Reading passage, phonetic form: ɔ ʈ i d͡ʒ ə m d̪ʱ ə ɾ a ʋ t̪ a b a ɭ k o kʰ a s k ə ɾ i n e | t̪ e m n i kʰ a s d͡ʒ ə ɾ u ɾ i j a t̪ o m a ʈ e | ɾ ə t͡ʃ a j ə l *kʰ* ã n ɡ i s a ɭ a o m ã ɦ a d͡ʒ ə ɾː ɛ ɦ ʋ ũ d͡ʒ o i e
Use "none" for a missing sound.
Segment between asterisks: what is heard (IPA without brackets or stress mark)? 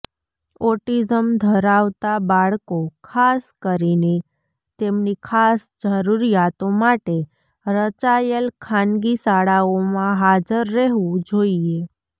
kʰ